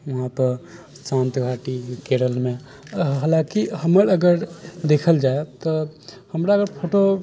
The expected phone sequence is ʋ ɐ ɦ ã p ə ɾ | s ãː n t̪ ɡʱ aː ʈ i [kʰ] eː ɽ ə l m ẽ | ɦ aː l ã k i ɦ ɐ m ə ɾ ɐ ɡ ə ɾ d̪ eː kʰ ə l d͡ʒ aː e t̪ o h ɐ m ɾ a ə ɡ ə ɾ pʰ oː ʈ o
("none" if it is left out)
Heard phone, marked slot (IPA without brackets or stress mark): k